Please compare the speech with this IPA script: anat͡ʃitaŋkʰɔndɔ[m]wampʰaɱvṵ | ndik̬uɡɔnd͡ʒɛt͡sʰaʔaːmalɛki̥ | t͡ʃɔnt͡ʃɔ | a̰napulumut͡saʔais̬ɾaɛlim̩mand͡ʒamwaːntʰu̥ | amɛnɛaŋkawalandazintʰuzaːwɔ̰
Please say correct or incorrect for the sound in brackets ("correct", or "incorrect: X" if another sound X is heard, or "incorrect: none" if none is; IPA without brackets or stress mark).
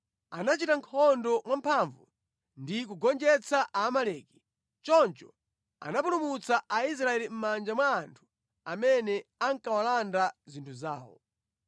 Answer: correct